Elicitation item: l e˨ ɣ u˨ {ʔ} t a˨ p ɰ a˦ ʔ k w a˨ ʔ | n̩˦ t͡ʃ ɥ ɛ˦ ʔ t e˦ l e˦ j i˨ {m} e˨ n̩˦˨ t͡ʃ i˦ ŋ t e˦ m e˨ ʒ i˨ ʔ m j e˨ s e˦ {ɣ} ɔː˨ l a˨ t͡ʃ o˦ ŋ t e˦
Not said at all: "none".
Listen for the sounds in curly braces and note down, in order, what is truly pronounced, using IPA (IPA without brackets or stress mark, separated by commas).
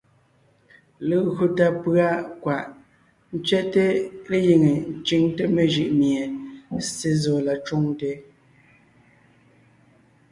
none, ŋ, z